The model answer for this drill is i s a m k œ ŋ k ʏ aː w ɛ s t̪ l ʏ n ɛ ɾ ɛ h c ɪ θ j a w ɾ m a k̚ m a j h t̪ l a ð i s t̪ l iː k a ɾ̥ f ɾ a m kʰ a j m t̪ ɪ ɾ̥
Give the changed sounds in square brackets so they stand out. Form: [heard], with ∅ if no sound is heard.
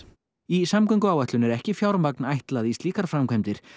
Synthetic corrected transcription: i s a m k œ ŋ k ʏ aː w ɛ [h] t̪ l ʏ n ɛ ɾ ɛ h c ɪ [f] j a w ɾ m a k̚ [n] a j h t̪ l a ð i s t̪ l iː k a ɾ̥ f ɾ a m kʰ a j m t̪ ɪ ɾ̥